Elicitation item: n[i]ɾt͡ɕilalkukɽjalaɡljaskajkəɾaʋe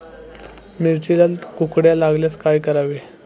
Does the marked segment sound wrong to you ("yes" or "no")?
no